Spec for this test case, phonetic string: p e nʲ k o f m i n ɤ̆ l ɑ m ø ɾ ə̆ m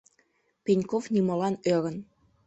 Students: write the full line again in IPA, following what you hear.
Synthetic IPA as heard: p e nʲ k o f n i m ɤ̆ l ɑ n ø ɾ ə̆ n